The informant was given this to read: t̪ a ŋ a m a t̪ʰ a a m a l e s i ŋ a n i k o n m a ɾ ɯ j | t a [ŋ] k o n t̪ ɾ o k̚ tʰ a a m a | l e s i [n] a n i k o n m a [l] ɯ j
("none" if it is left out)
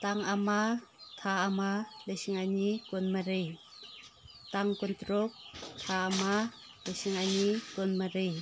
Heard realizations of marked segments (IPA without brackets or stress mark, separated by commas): ŋ, ŋ, ɾ